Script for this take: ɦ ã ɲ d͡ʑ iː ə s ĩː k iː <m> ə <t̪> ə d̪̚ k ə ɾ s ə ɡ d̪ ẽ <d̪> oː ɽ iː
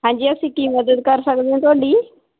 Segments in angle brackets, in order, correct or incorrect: correct, incorrect: d̪, incorrect: t̪

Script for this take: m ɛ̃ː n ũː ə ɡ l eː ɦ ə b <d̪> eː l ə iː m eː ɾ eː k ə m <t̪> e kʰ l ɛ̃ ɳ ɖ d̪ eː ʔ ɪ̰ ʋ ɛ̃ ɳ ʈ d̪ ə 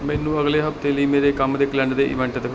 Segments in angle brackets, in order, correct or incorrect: incorrect: t̪, incorrect: d̪

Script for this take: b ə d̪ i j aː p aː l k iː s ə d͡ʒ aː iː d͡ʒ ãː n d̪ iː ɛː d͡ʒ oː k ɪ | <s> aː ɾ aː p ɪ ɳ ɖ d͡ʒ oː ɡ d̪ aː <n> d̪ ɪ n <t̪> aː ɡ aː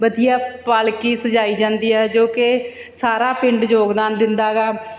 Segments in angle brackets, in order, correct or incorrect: correct, correct, incorrect: d̪

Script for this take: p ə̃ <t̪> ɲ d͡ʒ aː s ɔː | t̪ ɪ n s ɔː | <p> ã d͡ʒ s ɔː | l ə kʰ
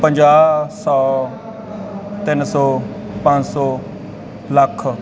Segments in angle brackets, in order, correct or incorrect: incorrect: none, correct

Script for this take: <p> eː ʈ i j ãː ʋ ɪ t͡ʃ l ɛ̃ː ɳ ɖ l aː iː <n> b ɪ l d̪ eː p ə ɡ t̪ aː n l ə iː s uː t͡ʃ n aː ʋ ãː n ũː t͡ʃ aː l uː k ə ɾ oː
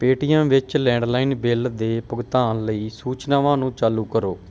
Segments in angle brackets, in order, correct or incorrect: correct, correct

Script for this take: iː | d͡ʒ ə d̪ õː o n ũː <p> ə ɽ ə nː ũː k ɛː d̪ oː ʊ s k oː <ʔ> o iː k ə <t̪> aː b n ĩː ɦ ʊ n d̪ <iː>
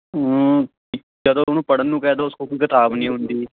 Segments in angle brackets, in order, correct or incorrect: correct, incorrect: k, correct, correct

